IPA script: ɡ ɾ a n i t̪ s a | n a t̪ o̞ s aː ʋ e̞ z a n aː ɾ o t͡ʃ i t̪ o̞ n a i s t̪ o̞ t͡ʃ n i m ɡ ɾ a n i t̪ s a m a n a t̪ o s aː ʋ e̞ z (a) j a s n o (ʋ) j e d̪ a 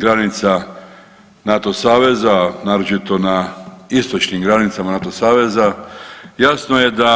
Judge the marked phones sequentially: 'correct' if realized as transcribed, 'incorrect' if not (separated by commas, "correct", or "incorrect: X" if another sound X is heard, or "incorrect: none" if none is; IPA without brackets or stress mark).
correct, incorrect: none